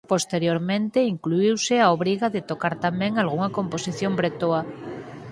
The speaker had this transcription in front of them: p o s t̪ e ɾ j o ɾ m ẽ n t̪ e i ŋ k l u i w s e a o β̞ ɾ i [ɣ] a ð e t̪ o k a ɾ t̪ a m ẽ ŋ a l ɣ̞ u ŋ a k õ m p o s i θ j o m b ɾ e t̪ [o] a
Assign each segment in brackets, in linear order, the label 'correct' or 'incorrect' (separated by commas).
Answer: correct, correct